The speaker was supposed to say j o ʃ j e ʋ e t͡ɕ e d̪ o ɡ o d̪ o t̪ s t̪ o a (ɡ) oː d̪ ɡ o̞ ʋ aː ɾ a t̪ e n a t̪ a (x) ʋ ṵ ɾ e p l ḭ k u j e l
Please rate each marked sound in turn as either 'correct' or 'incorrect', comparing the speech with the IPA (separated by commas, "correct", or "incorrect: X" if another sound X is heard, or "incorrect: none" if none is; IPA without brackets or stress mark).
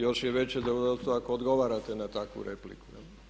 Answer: incorrect: k, incorrect: k